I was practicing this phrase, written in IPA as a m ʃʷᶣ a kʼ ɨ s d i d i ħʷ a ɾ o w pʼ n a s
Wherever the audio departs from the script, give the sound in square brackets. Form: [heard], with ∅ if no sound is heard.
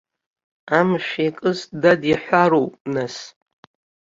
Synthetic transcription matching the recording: a m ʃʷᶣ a kʼ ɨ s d [a] d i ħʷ a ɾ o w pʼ n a s